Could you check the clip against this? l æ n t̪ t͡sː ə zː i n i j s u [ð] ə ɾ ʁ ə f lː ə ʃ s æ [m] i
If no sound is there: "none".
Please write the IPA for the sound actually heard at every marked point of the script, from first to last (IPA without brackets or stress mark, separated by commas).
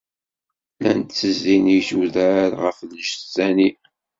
ð, n